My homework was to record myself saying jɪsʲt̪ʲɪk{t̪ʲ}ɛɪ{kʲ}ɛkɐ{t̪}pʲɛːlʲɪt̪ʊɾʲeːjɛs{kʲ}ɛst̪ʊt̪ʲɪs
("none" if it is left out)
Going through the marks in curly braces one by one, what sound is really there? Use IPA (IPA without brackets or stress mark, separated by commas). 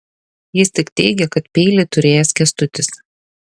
t̪ʲ, ɡʲ, t̪, kʲ